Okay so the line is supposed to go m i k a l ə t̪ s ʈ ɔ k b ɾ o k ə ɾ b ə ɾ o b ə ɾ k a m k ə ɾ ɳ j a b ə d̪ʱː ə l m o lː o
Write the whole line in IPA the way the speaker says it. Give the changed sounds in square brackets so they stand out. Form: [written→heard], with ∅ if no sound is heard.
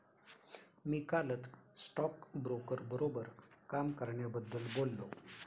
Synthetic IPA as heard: m i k a l ə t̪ s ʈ ɔ k b ɾ o k ə ɾ b ə ɾ o b ə ɾ k a m k ə ɾ ɳ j a b ə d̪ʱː ə l [m→b] o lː o